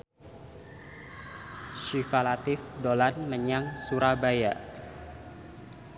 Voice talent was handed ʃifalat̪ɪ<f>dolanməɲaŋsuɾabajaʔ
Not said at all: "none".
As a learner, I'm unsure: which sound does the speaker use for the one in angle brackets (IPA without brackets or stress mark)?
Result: f